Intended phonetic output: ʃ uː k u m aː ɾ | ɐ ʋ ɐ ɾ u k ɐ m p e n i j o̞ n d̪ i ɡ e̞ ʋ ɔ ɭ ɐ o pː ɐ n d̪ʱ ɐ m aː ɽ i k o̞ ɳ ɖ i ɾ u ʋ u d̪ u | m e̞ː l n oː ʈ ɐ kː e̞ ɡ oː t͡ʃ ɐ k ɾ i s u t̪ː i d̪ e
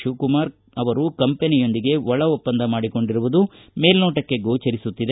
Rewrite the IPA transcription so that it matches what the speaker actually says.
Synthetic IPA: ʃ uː k u m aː ɾ | ɐ ʋ ɐ ɾ u k ɐ m p e n i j o̞ n d̪ i ɡ e̞ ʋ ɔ ɭ ɐ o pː ɐ n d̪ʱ ɐ m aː ɽ i k o̞ ɳ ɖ i ɾ u ʋ u d̪ u | m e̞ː l n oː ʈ ɐ kː e̞ ɡ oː t͡ʃ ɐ ɾ i s u t̪ː i d̪ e